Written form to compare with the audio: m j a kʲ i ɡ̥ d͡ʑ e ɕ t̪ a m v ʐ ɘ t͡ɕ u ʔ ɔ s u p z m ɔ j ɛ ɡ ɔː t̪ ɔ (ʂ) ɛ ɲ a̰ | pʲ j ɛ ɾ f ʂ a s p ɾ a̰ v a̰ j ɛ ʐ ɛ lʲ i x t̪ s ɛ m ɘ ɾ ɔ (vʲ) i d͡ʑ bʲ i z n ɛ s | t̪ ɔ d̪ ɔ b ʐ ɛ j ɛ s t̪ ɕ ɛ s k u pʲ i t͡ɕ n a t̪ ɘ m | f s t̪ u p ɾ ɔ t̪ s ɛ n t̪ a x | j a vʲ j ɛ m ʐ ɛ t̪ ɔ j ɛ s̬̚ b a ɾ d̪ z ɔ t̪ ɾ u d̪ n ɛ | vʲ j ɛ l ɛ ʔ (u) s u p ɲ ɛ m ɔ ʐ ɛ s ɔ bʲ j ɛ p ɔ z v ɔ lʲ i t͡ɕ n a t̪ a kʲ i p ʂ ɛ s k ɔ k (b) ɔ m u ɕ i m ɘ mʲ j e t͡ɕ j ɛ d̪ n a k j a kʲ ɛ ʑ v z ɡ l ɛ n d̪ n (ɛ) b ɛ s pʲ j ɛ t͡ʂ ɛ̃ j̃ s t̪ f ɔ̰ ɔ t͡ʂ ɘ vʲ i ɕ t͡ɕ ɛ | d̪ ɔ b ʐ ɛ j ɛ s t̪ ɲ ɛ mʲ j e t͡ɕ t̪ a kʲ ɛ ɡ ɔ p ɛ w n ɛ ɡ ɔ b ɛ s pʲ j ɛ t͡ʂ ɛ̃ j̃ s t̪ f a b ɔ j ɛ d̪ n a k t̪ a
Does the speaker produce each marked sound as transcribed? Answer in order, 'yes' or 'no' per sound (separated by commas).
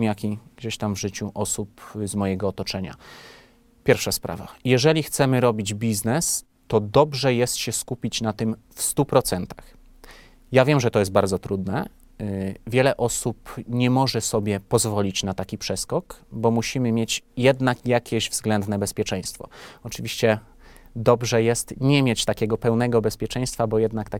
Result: no, no, no, yes, yes